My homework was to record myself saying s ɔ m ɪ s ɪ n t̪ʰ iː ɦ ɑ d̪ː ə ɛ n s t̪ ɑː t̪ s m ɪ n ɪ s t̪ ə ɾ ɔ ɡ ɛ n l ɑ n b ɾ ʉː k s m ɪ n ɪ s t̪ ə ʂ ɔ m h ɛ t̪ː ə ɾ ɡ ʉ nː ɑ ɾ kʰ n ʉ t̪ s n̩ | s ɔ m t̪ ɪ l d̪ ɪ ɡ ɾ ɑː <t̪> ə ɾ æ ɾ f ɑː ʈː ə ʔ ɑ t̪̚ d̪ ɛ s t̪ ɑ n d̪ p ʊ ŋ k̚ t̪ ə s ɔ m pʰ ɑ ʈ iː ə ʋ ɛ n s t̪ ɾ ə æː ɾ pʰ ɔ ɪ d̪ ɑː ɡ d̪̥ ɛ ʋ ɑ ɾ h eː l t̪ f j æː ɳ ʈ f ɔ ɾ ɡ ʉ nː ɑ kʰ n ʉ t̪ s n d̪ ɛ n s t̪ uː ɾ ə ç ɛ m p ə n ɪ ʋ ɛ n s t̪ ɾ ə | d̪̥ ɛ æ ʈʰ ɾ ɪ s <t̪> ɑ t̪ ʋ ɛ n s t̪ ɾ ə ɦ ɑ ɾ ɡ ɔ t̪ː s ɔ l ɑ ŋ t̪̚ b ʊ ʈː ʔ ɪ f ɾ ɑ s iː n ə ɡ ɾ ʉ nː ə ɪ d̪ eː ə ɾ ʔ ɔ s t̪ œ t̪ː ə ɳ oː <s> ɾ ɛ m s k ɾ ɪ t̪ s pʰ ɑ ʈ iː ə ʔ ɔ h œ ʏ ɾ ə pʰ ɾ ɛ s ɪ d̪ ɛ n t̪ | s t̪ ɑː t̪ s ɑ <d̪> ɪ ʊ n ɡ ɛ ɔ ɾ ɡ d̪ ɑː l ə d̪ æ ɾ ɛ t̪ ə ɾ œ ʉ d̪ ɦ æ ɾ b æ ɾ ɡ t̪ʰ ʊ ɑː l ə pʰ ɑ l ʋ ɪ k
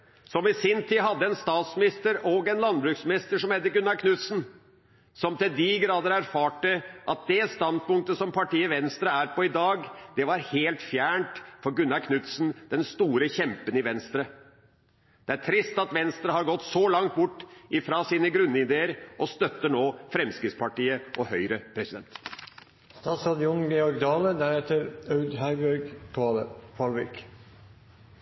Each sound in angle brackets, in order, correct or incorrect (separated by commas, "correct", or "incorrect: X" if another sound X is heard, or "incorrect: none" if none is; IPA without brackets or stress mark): incorrect: d̪, correct, incorrect: f, correct